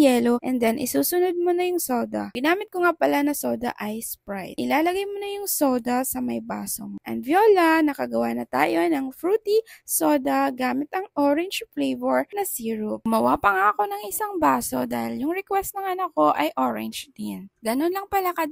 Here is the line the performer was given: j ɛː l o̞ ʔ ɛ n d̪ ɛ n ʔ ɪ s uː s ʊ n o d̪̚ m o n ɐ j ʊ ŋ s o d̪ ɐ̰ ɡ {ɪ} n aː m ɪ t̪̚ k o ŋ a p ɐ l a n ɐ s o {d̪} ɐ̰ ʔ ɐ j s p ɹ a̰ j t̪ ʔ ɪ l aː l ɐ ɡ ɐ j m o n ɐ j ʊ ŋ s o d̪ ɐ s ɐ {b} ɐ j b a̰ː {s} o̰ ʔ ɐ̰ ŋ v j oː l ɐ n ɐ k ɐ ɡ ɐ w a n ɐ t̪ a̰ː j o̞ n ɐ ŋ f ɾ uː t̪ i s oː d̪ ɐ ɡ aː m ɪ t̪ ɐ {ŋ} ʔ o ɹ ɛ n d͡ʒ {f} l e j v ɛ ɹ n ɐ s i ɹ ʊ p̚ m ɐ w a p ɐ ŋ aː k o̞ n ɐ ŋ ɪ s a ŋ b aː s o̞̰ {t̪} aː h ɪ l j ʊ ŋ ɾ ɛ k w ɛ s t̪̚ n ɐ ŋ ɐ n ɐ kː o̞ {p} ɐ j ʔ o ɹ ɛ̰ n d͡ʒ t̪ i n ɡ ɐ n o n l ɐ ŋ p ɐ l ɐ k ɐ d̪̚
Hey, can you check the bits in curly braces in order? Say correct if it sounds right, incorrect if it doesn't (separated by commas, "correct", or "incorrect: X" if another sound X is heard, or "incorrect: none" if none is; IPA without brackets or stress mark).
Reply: correct, correct, incorrect: m, correct, correct, correct, incorrect: d̪, incorrect: ʔ